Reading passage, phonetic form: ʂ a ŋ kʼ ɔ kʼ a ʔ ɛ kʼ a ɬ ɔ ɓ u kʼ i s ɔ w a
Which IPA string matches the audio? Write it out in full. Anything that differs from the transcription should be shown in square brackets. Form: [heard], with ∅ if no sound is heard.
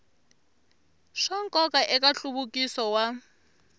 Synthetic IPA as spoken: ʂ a ŋ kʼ ɔ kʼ a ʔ ɛ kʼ a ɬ [u] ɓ u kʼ i s ɔ w a

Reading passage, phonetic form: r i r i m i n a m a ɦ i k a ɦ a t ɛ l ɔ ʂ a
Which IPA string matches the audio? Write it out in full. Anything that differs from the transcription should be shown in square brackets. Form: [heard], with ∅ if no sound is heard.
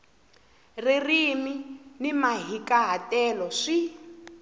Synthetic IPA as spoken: r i r i m i n [i] m a ɦ i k a ɦ a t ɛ l ɔ ʂ [i]

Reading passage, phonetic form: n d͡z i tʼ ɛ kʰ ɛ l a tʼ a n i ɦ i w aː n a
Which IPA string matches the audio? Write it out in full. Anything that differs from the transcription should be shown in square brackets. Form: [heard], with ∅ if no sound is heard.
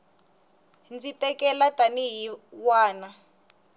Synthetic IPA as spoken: n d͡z i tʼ ɛ [k] ɛ l a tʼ a n i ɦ i w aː n a

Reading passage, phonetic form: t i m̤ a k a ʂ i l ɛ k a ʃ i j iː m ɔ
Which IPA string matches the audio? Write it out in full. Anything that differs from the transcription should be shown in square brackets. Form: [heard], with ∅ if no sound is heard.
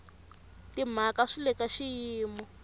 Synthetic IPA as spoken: t i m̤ a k a ʂ i l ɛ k a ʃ i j iː m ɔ

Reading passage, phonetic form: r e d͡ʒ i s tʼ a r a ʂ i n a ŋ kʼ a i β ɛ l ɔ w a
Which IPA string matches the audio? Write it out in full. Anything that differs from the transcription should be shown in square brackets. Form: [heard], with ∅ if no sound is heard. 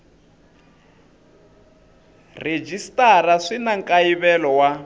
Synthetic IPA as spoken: r e d͡ʒ i s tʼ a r a ʂ i n a ŋ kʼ a i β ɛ l ɔ w a

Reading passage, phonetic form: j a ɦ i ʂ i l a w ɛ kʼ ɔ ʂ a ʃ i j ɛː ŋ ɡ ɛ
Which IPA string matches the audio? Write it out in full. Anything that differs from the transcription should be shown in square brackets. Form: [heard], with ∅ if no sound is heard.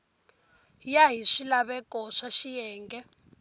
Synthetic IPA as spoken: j a ɦ i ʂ i l a [β] ɛ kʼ ɔ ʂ a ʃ i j ɛː ŋ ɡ ɛ

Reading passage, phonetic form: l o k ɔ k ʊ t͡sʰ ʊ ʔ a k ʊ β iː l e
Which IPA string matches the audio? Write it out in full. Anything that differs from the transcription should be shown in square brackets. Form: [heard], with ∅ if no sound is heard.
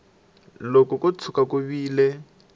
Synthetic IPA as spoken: l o k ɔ k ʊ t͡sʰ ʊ [k] a k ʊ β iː l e

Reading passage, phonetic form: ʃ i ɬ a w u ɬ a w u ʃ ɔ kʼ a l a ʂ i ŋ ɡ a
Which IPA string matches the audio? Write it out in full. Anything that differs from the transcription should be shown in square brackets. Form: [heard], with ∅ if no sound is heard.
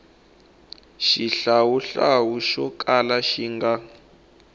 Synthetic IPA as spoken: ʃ i ɬ a w u ɬ a w u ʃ ɔ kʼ a l a [ʃ] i ŋ ɡ a

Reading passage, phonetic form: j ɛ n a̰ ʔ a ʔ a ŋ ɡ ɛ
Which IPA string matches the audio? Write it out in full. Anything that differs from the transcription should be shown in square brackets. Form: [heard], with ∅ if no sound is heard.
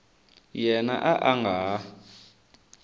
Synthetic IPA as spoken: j ɛ n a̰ ʔ a ʔ a ŋ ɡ [a]

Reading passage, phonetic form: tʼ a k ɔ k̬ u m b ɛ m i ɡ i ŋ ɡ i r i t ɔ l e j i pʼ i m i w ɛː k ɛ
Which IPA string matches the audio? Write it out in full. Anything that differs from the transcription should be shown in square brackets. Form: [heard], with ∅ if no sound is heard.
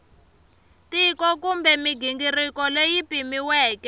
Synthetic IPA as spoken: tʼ [i] k ɔ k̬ u m b ɛ m i ɡ i ŋ ɡ i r i [k] ɔ l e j i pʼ i m i w ɛː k ɛ

